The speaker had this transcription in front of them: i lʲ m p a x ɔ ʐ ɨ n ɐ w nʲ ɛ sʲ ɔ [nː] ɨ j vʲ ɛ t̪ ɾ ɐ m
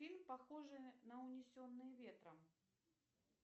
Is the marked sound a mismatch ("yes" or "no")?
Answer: no